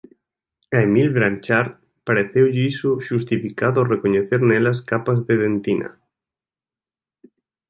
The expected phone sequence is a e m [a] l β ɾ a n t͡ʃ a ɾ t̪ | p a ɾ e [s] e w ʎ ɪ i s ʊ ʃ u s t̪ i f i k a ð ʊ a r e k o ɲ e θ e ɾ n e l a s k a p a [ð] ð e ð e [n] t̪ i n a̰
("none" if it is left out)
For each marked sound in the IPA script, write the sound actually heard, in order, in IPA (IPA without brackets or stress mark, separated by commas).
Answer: i, θ, z, n